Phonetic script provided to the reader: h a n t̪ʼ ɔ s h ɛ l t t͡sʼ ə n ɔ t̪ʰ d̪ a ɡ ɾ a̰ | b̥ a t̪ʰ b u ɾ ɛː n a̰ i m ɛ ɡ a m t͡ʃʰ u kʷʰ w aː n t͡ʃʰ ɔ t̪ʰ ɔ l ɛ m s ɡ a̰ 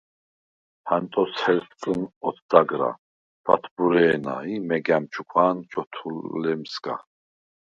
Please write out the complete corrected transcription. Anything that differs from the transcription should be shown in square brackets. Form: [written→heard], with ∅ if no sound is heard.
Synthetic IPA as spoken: h a n t̪ʼ ɔ s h ɛ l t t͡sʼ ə n ɔ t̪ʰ d̪ a ɡ ɾ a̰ | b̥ a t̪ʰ b u ɾ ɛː n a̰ i m ɛ ɡ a m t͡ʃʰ u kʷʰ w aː n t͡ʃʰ ɔ t̪ʰ [ɔ→u] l ɛ m s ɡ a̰

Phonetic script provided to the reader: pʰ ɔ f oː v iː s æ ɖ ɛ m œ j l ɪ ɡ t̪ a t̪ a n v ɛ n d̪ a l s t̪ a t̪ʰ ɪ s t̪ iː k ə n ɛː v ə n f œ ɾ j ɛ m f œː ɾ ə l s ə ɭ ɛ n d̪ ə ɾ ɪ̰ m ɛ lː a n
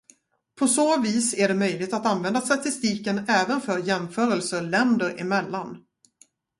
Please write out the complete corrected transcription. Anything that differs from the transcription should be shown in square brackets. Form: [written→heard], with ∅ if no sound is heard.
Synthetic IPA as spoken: pʰ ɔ [f→s] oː v iː s æ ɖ ɛ m œ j l ɪ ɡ t̪ a t̪ a n v ɛ n d̪ a [l→∅] s t̪ a [t̪ʰ→t̪] ɪ s t̪ iː k ə n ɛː v ə n f œ ɾ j ɛ m f œː ɾ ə l s ə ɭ ɛ n d̪ ə ɾ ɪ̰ m ɛ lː a n

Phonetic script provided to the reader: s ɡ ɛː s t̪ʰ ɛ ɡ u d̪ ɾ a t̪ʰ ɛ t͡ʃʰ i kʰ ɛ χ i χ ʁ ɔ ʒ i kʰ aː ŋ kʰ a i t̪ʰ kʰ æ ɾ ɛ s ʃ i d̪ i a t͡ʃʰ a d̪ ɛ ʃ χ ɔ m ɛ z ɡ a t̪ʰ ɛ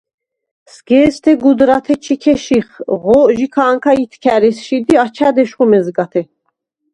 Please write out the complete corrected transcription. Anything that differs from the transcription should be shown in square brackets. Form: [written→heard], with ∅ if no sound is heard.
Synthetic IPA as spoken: s ɡ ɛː s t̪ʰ ɛ ɡ u d̪ ɾ a t̪ʰ ɛ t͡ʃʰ i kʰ ɛ [χ→ʃ] i χ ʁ ɔ ʒ i kʰ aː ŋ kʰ a i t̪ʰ kʰ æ ɾ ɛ s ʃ i d̪ i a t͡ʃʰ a d̪ ɛ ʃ χ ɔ m ɛ z ɡ a t̪ʰ ɛ

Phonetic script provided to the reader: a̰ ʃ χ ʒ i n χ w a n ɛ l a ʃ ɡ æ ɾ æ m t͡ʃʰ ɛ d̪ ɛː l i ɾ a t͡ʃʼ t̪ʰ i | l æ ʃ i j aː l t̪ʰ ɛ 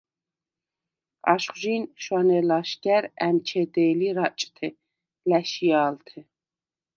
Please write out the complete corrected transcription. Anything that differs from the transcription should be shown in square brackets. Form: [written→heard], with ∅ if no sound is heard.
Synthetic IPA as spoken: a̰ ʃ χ ʒ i n [χ→ʃ] w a n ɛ l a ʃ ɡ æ ɾ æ m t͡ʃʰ ɛ d̪ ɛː l i ɾ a t͡ʃʼ t̪ʰ [i→ɛ] | l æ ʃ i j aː l t̪ʰ ɛ

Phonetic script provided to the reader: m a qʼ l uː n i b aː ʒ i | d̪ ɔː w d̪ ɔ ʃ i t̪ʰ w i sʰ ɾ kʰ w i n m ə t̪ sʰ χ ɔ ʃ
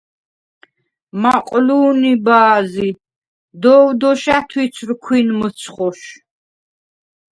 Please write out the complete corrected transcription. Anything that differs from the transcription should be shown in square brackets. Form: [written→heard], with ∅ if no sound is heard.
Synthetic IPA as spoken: m a qʼ l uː n i b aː [ʒ→z] i | d̪ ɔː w d̪ ɔ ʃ [i→a] t̪ʰ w i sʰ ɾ kʰ w i n m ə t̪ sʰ χ ɔ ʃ

